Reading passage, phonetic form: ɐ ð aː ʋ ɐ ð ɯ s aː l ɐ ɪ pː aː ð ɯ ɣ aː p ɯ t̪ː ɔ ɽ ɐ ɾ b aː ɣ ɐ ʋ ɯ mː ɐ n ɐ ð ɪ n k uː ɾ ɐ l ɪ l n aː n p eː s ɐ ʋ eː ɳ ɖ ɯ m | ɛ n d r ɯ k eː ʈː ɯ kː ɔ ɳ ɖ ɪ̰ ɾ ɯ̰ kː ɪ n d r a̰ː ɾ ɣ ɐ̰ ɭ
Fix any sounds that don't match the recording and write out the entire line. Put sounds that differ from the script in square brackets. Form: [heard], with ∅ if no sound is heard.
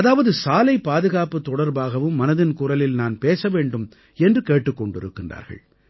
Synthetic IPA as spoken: ɐ ð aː ʋ ɐ ð ɯ s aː l ɐ ɪ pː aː ð ɯ ɣ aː p ɯ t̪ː ɔ ɽ ɐ ɾ b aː ɣ ɐ ʋ ɯ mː ɐ n ɐ ð ɪ n k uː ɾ ɐ l ɪ l n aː n p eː s ɐ ʋ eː ɳ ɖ ɯ m | ɛ n d r ɯ k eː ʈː ɯ kː ɔ ɳ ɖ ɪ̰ ɾ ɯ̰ kː ɪ n d r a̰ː ɾ ɣ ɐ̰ ɭ